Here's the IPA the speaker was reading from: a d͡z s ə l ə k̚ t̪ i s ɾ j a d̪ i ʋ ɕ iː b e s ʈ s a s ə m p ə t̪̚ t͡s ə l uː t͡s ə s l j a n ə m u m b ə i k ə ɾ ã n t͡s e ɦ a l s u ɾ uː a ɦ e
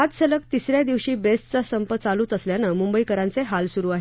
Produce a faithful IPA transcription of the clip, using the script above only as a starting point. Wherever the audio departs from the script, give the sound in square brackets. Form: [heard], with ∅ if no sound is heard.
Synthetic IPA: a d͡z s ə l ə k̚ t̪ i s ɾ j a d̪ i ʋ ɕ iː b e s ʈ [t͡s] a s ə m p ə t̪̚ t͡s [a] l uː t͡s ə s l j a n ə m u m b ə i k ə ɾ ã n t͡s e ɦ a l s u ɾ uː a ɦ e